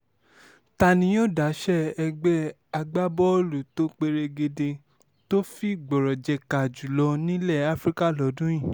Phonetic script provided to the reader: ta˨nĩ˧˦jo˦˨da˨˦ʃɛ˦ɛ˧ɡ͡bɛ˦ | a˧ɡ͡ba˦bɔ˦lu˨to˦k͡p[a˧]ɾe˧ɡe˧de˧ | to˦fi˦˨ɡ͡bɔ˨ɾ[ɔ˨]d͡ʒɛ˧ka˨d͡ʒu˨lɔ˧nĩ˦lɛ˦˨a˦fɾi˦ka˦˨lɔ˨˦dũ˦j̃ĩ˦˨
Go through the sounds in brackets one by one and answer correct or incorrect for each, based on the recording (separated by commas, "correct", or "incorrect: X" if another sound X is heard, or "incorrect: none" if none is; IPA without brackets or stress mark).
incorrect: e˧, correct